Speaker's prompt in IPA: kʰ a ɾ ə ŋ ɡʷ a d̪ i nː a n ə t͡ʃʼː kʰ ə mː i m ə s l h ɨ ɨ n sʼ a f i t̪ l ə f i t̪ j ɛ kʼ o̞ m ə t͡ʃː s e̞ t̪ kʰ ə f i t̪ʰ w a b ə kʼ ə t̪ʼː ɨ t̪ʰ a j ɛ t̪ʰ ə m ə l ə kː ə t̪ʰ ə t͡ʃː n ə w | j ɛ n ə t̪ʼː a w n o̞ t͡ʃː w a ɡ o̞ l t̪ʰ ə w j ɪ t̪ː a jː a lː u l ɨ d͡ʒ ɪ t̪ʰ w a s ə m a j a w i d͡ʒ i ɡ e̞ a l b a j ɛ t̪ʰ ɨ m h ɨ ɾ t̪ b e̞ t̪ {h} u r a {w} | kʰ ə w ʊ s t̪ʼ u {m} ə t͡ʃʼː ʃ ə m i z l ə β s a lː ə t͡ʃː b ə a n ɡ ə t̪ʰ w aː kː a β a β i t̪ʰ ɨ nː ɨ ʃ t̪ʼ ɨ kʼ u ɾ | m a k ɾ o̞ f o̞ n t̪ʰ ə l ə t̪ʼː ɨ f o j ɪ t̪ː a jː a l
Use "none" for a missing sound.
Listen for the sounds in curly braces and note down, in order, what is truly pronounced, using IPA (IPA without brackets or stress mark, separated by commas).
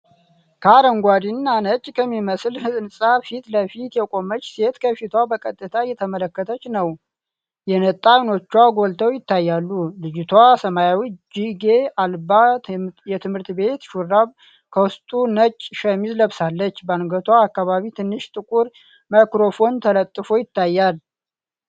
ʃ, β, n